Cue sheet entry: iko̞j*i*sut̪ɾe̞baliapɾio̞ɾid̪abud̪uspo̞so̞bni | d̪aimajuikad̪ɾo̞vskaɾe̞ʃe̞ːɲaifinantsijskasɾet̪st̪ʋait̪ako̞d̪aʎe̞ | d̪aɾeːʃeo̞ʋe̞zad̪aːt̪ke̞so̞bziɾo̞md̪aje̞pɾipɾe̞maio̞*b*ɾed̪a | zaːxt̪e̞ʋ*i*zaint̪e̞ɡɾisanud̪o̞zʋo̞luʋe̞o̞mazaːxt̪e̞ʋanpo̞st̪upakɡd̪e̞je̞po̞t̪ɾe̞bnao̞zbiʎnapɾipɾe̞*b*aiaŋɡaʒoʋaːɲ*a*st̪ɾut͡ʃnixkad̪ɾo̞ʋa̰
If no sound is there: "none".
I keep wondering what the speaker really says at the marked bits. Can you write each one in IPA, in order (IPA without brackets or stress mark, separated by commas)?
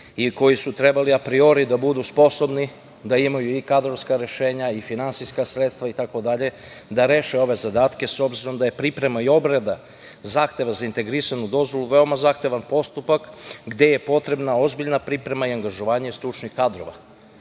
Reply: i, b, a, m, e